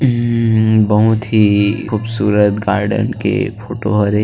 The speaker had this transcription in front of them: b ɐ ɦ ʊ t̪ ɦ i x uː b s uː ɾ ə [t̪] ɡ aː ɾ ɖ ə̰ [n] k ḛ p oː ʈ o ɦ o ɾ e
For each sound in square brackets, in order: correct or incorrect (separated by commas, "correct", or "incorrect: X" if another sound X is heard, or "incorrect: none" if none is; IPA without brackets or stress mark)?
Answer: correct, correct